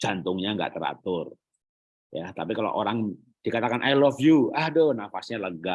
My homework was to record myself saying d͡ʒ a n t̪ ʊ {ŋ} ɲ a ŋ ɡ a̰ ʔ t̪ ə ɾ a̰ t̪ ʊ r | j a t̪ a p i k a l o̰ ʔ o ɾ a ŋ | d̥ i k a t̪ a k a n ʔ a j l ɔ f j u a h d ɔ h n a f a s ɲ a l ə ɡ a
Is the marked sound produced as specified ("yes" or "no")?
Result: yes